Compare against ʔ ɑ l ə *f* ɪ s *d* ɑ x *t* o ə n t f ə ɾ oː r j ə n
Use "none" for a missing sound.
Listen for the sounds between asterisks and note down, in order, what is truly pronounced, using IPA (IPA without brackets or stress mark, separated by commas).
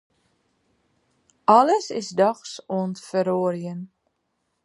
s, d, s